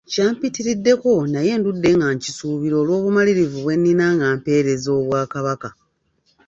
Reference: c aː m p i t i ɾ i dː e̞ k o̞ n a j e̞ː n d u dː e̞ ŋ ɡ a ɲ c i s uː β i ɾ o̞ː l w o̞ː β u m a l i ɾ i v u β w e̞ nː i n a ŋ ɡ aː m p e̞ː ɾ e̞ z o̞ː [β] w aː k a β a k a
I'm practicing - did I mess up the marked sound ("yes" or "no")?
no